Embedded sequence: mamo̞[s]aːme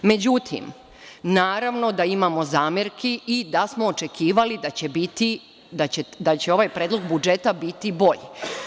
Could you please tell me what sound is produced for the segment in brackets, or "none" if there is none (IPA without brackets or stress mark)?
z